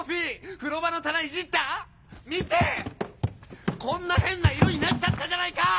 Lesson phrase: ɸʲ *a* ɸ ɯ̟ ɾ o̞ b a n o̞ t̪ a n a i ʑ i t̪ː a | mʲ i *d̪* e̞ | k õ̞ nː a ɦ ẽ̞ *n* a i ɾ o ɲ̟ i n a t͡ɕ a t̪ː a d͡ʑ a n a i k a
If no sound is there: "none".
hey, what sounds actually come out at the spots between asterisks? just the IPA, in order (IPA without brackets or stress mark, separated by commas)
i, t̪, nː